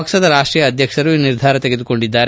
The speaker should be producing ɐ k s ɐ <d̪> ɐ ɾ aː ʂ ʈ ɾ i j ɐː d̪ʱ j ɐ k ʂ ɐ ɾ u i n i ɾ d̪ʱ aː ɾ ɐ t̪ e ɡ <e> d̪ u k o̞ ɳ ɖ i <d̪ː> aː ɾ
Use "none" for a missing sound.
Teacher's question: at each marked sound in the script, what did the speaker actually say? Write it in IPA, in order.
d̪, e, d̪ː

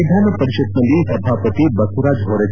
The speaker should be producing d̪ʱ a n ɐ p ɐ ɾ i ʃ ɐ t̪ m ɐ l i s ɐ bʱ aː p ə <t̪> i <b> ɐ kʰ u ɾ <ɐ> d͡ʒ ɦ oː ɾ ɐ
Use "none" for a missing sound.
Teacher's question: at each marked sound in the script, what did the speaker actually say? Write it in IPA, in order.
t̪, b, a

